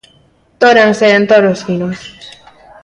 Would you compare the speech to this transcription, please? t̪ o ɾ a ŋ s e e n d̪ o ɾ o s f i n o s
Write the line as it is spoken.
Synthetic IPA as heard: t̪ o ɾ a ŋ s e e n t̪ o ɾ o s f i n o s